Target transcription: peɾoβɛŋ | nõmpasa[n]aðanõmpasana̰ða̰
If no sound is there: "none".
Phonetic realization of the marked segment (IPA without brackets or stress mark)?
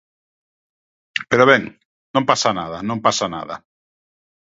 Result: n